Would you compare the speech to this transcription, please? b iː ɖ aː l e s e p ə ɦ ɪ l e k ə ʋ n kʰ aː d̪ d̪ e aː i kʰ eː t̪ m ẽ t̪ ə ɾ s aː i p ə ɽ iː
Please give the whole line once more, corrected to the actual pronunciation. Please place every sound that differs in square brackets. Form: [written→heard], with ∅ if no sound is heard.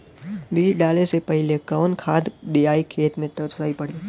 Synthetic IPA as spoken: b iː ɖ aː l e s e p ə ɦ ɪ l e k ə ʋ n kʰ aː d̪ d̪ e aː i kʰ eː t̪ m ẽ t̪ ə ɾ s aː i p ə ɽ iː